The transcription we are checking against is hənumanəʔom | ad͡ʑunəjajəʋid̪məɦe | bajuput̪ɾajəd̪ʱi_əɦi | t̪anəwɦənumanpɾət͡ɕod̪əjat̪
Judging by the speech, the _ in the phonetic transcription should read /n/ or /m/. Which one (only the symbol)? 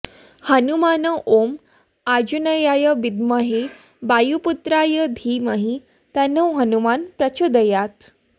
m